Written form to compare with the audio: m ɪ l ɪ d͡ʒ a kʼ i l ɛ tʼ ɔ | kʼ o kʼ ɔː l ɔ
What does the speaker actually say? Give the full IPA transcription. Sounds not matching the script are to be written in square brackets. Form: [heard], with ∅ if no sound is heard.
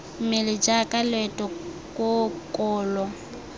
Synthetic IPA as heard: m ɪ l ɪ d͡ʒ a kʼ [a] l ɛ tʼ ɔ | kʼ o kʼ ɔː l ɔ